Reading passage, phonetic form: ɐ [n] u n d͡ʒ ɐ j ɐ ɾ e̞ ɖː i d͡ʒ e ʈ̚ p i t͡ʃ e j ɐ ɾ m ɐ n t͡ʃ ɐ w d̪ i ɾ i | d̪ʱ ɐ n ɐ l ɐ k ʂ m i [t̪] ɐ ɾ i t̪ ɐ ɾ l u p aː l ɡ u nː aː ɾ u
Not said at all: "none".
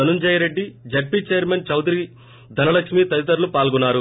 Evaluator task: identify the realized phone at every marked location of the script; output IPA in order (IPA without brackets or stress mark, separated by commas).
n, t̪